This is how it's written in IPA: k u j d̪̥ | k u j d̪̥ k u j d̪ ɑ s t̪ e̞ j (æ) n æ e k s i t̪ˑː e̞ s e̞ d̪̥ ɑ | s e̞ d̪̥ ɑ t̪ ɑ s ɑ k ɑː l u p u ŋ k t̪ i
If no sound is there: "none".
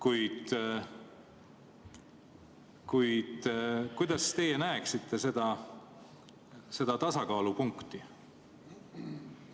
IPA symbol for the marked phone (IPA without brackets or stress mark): e